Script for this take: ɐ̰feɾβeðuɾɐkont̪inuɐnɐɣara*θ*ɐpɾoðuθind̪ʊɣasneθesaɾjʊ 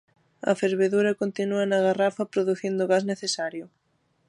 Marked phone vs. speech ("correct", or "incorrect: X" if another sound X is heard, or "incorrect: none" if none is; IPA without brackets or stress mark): incorrect: f